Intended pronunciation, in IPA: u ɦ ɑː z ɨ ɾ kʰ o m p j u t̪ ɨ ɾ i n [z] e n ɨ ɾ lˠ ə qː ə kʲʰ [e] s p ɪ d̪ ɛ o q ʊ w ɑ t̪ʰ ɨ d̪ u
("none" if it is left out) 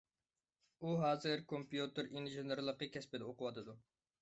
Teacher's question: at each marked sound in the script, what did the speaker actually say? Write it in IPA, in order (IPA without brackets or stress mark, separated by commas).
ʒ, ɛ